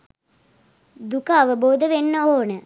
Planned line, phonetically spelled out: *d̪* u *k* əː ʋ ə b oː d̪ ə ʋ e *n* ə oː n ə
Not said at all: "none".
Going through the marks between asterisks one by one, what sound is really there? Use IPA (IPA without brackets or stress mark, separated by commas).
d̪, k, nː